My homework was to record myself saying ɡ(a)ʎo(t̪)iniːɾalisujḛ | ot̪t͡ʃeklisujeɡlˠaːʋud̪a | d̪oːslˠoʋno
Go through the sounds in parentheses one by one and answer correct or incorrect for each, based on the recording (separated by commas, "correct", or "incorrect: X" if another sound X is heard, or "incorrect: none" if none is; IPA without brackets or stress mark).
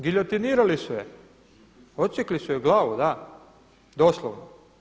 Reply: incorrect: i, correct